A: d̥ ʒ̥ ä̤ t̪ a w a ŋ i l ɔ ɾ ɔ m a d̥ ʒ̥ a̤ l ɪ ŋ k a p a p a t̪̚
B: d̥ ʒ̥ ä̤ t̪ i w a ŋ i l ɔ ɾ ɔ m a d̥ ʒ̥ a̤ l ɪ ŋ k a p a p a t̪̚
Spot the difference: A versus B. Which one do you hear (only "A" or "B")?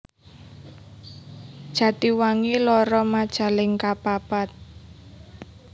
B